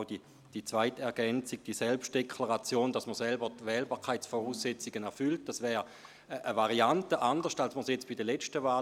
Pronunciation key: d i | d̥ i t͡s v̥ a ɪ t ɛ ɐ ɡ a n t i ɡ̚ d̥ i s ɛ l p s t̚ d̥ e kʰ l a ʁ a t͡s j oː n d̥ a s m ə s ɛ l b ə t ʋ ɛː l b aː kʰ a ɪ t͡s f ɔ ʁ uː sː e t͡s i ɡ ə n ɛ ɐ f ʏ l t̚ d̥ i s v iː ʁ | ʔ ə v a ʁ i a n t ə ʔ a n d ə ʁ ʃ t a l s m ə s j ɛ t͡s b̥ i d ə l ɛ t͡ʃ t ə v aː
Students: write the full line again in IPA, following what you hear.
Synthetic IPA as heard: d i | d̥ i t͡s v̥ a ɪ t ɛ ɐ ɡ ɛ n t͡s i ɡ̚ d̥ i s ɛ l p ʃ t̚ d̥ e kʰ l a ʁ a t͡s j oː n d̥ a s m ə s ɛ l b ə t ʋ ɛː l b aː kʰ a ɪ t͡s f ɔ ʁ uː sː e t͡s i ɡ ə n ɛ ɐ f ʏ l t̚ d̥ a s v ɛː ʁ | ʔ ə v a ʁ i a n t ə ʔ a n d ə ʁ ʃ t a l s m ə s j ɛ t͡s b̥ i d ə l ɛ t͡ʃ t ə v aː